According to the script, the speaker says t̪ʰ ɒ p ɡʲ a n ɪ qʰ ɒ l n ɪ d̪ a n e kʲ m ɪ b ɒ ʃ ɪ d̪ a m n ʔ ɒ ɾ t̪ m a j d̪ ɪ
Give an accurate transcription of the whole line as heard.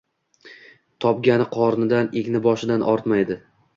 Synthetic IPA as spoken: t̪ʰ ɒ p ɡʲ a n ɪ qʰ ɒ ɾ n ɪ d̪ a n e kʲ n ɪ b ɒ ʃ ɪ d̪ a n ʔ ɒ ɾ t̪ m a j d̪ ɪ

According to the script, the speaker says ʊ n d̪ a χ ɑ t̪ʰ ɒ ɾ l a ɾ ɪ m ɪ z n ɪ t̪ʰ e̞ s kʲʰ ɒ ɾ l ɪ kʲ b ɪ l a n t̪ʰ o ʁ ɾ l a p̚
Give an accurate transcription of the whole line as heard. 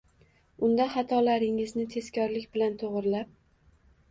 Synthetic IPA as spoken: ʊ n d̪ a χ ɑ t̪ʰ ɒ l a ɾ ɪ ŋ ɪ z n ɪ t̪ʰ e̞ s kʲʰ ɒ ɾ l ɪ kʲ b ɪ l a n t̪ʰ o ʁ ɾ l a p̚

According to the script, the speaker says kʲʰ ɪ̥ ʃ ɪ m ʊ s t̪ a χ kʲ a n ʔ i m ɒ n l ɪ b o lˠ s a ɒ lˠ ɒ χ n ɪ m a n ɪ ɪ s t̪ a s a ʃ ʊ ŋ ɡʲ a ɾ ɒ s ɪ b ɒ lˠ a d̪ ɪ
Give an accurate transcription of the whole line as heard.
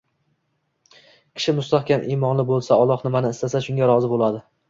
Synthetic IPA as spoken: kʲʰ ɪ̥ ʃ ɪ m ʊ s t̪ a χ kʲ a n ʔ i m ɒ n l ɪ b o lˠ s a ɒ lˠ ɒ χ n ɪ m a n ɪ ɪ s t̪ a s a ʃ ʊ ŋ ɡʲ a ɾ ɒ z ɪ b o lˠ a d̪ ɪ

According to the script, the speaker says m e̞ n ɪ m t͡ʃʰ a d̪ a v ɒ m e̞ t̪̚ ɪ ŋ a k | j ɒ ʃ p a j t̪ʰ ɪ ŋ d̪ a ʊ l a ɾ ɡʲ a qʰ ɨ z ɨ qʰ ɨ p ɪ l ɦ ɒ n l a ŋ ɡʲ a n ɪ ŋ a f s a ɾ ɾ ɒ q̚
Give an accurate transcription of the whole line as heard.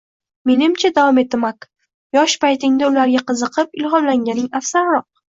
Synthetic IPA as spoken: m e̞ n ɪ m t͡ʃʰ a d̪ a v ɒ m e̞ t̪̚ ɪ m a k | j ɒ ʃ p a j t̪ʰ ɪ ŋ d̪ a ʊ l a ɾ ɡʲ a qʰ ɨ z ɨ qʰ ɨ p ɪ l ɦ ɒ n l a ŋ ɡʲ a n ɪ ŋ a f s a ɾ ɾ ɒ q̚

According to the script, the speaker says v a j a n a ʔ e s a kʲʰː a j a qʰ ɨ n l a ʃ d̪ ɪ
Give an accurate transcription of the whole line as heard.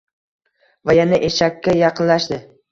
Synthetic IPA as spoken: v a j a n a ʔ e ʃ a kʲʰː a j ɑ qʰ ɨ n l a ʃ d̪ ɪ

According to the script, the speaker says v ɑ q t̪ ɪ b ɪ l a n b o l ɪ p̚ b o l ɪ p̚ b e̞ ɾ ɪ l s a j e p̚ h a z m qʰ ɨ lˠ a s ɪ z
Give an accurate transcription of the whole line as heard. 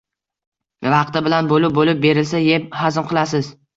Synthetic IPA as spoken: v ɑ q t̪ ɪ b ɪ l a n b o l ɪ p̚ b o l ɪ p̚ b e̞ ɾ ɪ l s a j e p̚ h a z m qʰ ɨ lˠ a s ɪ z

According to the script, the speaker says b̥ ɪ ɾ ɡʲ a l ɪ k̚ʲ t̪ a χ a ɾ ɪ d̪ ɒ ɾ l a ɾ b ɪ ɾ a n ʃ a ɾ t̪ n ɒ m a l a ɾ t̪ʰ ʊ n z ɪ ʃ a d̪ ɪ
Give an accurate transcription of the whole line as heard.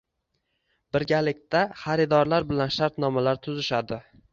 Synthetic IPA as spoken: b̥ ɪ ɾ ɡʲ a l ɪ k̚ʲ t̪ a χ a ɾ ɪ d̪ ɒ ɾ l a ɾ b ɪ l a n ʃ a ɾ t̪ n ɒ m a l a ɾ t̪ʰ ʊ z ɪ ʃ a d̪ ɪ

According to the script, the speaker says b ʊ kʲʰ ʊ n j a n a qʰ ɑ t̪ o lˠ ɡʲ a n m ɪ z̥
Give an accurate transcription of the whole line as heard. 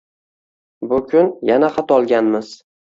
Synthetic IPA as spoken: b ʊ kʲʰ ʊ n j a n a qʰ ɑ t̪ ɒ lˠ ɡʲ a n m ɪ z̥

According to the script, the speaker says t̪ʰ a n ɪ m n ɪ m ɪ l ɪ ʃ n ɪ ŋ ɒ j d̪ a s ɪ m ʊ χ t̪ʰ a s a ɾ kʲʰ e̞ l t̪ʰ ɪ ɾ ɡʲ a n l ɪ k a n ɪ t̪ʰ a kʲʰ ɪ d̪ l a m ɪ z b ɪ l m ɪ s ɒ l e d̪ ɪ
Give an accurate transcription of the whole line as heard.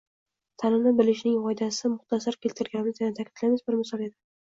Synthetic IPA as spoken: t̪ʰ a n ɪ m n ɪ b ɪ l ɪ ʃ n ɪ ŋ ɒ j d̪ a s ɪ m ʊ χ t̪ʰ a s a ɾ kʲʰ e̞ l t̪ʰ ɪ ɾ ɡʲ a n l ɪ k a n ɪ t̪ʰ a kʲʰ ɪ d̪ l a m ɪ z b ɪ ɾ m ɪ s ɒ l e d̪ ɪ

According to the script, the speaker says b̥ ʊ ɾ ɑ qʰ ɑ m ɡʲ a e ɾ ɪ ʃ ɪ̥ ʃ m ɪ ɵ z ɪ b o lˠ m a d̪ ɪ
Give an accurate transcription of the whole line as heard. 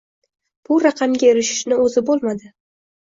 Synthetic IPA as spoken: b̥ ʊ ɾ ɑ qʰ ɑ m ɡʲ a e ɾ ɪ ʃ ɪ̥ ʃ n ɪ ɵ z ɪ b o lˠ m a d̪ ɪ

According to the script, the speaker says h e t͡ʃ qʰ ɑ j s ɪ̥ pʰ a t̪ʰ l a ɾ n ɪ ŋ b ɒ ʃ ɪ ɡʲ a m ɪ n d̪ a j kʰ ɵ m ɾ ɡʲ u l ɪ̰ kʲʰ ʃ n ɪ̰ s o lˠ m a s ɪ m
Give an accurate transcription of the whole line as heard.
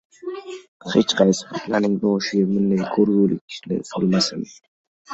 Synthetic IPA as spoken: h e t͡ʃ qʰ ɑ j s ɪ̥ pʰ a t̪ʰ l a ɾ n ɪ ŋ b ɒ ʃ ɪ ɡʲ a m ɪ n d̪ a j kʰ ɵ ɾ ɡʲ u l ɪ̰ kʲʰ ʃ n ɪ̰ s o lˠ m a s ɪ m

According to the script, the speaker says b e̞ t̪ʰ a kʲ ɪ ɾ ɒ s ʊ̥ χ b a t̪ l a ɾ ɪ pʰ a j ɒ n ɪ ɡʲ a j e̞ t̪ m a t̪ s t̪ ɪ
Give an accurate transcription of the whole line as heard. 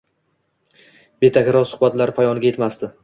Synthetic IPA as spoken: b e̞ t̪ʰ a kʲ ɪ ɾ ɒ s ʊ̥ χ b a t̪ l a ɾ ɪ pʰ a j ɒ n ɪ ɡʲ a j e̞ t̪ m a s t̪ ɪ

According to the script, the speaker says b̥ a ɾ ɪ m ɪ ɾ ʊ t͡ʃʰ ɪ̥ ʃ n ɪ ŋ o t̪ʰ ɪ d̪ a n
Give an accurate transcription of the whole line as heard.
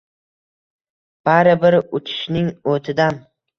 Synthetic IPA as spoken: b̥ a ɾ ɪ b ɪ ɾ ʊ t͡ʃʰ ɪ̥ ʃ n ɪ ŋ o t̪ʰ ɪ d̪ a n

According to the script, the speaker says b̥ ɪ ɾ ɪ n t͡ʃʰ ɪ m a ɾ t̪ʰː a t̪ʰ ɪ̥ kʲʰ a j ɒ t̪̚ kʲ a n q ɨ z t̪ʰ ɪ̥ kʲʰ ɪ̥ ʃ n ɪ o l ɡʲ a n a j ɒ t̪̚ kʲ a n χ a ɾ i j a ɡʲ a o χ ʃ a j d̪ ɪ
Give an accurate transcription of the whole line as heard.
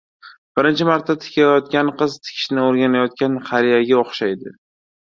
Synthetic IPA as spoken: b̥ ɪ ɾ ɪ n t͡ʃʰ ɪ m a ɾ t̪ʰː a t̪ʰ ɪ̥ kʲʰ a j ɒ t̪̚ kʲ a n q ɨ z t̪ʰ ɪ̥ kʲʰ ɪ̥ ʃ n ɪ o ɾ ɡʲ a n a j ɒ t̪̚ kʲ a n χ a ɾ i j a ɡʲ a o χ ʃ a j d̪ ɪ

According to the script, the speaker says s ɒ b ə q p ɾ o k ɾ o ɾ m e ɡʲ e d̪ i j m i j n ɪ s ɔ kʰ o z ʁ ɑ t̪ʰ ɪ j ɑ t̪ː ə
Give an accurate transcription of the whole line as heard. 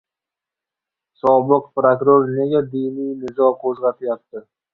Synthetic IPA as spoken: s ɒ b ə q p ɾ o k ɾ o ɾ n e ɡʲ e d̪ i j n i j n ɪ z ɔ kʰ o z ʁ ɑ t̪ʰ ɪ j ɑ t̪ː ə

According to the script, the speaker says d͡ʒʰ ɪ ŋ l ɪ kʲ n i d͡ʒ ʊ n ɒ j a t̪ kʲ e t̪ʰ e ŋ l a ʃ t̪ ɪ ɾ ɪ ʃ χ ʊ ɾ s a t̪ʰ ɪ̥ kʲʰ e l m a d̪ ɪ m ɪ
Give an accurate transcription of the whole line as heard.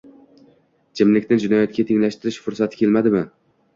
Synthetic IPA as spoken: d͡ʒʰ ɪ m l ɪ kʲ n ɪ d͡ʒ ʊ n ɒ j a t̪ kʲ a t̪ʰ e ŋ l a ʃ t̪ ɪ ɾ ɪ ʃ f ʊ ɾ s a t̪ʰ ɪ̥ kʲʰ e l m a d̪ ɪ m ɪ

